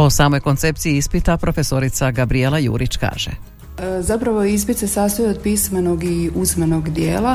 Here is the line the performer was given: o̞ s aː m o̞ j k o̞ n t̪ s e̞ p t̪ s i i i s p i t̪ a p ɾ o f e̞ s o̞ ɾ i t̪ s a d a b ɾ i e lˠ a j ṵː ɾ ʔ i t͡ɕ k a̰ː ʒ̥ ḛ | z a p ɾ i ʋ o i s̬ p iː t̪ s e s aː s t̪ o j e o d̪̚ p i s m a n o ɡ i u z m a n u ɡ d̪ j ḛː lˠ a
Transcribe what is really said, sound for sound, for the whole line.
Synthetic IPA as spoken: o̞ s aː m o̞ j k o̞ n t̪ s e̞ p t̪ s i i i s p i t̪ a p ɾ o f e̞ s o̞ ɾ i t̪ s a ɡ a b ɾ i e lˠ a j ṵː ɾ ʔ i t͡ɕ k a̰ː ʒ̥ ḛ | z a p ɾ a ʋ o i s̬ p i t̪ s e s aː s t̪ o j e o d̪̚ p i s m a n o ɡ i u z m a n o ɡ d̪ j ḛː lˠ a